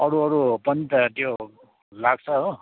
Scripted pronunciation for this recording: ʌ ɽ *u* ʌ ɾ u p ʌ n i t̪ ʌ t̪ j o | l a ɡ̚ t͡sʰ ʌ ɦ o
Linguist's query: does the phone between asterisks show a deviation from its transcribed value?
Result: no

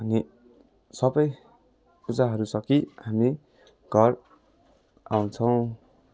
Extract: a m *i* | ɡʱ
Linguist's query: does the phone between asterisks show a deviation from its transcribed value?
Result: no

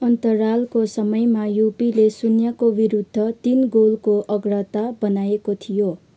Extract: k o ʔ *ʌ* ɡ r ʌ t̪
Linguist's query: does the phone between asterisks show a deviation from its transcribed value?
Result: no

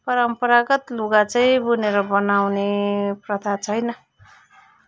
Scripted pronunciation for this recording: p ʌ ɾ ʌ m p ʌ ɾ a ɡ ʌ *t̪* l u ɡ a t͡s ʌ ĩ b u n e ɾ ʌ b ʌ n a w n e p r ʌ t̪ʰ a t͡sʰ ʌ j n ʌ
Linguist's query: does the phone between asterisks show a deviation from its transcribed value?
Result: no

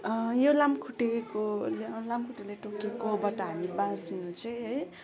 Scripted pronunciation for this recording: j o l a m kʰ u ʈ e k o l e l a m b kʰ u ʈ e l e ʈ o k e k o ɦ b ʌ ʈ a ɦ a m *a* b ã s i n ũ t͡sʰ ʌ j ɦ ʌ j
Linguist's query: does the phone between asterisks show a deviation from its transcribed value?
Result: yes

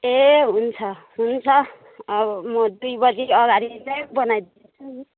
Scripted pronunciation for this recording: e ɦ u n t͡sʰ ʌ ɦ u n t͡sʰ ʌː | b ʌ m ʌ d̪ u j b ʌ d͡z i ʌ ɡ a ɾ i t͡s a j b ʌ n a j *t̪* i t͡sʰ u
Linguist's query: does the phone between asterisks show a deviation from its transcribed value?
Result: yes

